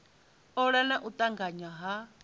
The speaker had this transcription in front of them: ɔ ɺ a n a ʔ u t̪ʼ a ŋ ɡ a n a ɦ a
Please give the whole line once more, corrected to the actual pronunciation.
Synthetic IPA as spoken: ɔ ɺ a n a ʔ u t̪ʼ a ŋ ɡ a ɲ a ɦ a